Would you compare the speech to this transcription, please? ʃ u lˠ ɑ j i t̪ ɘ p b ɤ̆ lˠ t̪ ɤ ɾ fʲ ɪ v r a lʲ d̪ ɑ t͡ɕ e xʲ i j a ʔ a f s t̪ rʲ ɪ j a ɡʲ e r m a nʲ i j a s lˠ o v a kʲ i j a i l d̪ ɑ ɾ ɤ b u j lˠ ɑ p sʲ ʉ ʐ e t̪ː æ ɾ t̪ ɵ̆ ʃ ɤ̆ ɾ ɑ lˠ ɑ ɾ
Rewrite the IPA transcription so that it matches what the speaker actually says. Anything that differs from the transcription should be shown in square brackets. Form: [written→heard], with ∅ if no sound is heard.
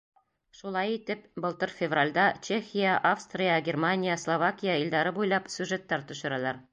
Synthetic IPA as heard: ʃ u lˠ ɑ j i t̪ ɘ p b ɤ̆ lˠ t̪ ɤ ɾ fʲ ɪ v r a lʲ d̪ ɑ t͡ɕ e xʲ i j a ʔ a f s t̪ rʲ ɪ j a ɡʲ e r m a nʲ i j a s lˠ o v a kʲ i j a i l d̪ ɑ ɾ ɤ b u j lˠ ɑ p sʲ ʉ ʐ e t̪ː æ ɾ t̪ ɵ̆ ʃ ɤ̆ ɾ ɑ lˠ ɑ ɾ